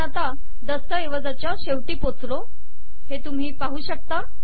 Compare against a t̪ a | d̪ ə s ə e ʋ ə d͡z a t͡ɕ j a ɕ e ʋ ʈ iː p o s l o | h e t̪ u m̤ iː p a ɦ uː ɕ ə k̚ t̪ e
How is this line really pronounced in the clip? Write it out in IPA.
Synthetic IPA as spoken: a t̪ a | d̪ ə s ə e ʋ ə d͡z a t͡ɕ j a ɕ e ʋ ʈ iː p o t͡s l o | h e t̪ u m̤ iː p a ɦ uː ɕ ə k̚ t̪ a